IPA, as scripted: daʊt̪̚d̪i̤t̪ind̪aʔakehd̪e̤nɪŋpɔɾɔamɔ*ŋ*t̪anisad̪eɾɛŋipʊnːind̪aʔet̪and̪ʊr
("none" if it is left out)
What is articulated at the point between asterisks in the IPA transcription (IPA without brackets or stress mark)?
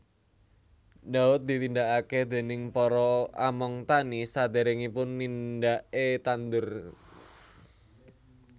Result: ŋ